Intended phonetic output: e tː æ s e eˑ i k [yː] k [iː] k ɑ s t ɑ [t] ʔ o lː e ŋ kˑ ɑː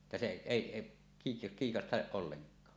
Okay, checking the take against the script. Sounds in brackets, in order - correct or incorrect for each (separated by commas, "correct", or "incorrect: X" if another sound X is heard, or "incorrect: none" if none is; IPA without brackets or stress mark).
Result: incorrect: iː, correct, incorrect: ʔ